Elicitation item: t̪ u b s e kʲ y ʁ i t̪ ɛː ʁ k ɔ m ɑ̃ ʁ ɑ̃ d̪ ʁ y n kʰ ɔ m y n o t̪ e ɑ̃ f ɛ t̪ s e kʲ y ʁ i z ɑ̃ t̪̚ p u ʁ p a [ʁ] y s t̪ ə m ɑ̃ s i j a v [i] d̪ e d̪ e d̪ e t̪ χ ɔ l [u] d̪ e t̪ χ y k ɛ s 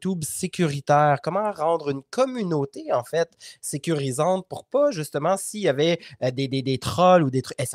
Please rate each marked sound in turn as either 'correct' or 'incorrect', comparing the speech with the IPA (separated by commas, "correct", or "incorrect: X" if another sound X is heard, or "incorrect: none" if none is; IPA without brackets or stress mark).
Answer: incorrect: ʒ, incorrect: ɛ, correct